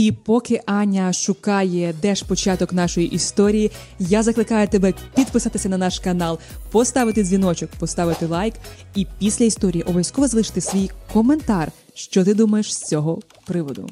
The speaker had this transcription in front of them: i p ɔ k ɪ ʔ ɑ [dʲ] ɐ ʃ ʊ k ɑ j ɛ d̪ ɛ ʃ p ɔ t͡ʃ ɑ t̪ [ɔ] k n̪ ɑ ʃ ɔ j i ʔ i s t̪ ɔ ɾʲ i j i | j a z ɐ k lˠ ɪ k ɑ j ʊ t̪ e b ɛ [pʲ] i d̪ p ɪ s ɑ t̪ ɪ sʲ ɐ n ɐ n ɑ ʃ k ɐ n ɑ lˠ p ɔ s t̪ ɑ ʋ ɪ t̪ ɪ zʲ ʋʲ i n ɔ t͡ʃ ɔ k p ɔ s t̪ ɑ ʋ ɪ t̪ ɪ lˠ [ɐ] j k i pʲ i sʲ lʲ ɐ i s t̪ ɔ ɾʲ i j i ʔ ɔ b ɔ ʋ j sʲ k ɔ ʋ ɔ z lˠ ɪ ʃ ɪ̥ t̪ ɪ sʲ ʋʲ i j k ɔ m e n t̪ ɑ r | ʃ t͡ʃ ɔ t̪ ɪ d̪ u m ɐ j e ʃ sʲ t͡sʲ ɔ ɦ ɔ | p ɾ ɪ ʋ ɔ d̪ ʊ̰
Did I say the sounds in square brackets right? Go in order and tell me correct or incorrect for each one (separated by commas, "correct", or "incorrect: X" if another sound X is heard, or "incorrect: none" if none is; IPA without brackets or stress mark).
incorrect: nʲ, correct, correct, incorrect: ɑ